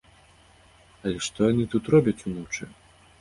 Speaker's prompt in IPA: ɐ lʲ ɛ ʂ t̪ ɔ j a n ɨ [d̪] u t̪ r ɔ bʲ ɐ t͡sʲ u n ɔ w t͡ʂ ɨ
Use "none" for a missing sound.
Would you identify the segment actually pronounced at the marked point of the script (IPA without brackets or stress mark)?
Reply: t̪